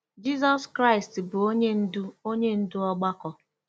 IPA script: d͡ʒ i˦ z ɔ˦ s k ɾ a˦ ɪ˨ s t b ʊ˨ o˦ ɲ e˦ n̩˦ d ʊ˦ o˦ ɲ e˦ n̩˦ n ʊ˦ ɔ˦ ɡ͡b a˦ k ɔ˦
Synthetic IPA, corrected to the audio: d͡ʒ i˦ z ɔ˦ s k ɾ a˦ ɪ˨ s t b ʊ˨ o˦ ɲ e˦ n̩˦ d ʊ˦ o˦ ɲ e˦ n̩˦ d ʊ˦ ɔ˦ ɡ͡b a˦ k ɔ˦